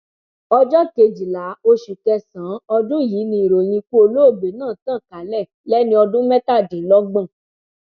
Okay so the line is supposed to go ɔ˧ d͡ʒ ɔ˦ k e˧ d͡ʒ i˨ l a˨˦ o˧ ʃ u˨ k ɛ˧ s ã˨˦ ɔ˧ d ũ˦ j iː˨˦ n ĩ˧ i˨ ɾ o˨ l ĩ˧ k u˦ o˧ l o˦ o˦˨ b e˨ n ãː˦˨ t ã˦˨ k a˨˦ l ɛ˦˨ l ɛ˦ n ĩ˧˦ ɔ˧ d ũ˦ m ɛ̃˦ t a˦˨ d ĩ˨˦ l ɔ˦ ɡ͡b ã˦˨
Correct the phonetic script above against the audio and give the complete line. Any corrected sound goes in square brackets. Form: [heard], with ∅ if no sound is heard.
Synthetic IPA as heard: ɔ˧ d͡ʒ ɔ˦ k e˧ d͡ʒ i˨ l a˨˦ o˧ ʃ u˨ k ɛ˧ s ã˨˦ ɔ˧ d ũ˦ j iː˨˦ n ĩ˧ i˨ ɾ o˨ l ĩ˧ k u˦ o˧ l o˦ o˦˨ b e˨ n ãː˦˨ t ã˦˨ k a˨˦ l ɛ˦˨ l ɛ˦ n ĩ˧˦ ɔ˧ d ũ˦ m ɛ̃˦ t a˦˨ d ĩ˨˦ l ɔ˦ ɡ͡b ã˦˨